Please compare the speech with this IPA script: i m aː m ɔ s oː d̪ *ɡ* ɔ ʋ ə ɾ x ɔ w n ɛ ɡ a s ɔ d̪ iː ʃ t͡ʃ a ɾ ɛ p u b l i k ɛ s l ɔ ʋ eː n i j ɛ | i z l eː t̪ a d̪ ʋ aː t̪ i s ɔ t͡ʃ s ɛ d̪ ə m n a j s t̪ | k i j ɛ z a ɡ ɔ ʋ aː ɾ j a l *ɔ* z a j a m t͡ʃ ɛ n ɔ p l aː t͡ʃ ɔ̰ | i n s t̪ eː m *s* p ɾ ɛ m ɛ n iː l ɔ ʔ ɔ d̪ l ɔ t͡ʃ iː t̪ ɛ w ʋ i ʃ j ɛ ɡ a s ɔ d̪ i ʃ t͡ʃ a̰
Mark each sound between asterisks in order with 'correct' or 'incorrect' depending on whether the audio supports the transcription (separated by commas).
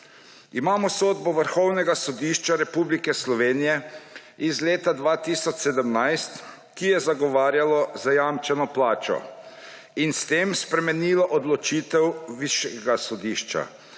incorrect, correct, correct